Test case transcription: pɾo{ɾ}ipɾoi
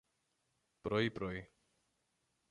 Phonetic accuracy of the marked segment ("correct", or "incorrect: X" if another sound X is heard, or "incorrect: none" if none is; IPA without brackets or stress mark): incorrect: none